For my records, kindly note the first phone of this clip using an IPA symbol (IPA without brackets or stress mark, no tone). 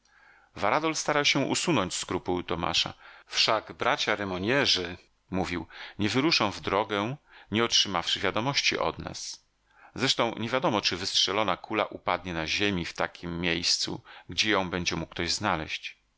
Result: v